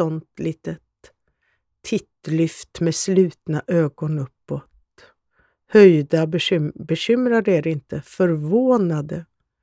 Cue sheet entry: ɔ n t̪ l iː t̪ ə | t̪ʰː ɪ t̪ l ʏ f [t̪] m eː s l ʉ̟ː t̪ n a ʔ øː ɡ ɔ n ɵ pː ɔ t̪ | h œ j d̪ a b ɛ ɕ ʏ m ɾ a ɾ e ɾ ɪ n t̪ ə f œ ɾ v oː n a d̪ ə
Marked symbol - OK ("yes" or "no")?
yes